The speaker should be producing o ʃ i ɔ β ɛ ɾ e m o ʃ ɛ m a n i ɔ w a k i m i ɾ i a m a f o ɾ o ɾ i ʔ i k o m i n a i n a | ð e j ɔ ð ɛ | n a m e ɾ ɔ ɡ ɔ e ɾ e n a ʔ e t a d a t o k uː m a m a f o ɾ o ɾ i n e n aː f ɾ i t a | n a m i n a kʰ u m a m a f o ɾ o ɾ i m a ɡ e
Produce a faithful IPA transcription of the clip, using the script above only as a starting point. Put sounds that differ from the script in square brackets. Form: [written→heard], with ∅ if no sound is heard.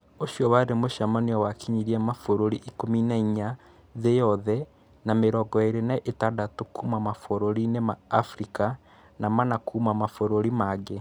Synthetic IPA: o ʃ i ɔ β [ɛ→a] ɾ e m o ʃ [ɛ→a] m a n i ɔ w a k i [m→ɲ] i ɾ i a m a f o ɾ o ɾ i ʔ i k o m i n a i [n→ɲ] a | ð e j ɔ ð ɛ | n a m e ɾ ɔ ɡ ɔ e ɾ e n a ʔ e t a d a t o k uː m a m a f o ɾ o ɾ i n e [n→m] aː f ɾ i [t→k] a | n a m [i→a] n a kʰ u m a m a f o ɾ o ɾ i m a ɡ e

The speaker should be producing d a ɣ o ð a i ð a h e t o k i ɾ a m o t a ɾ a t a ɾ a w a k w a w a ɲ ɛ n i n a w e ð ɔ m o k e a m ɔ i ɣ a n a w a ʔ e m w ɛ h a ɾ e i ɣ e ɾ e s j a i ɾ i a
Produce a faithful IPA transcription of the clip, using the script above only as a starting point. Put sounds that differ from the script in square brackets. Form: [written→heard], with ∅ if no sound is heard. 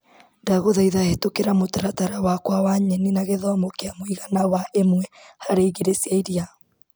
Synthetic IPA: d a ɣ o ð a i ð a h e t o k [i→e] ɾ a m o t a ɾ a t a ɾ a w a k w a w a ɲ ɛ n i n a [w→ɣ] e ð ɔ m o k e a m [ɔ→o] i ɣ a n a w a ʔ e m w ɛ h a ɾ e i ɣ e ɾ e s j a i ɾ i a

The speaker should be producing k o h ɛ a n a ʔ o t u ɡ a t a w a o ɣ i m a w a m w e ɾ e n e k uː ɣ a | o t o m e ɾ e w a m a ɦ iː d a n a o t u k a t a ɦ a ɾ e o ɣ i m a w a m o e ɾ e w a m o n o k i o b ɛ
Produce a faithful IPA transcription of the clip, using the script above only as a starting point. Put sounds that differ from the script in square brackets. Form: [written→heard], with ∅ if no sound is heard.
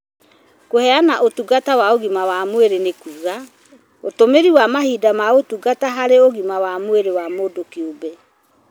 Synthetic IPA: k o h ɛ a n a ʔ o t u ɡ a t a w a o ɣ i m a w a m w e ɾ e n e k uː ɣ a | o t o m e ɾ [e→i] w a m a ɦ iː d a [n→m] a o t u [k→ɡ] a t a ɦ a ɾ e o ɣ i m a w a m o e ɾ e w a m o [n→d] o k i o b ɛ

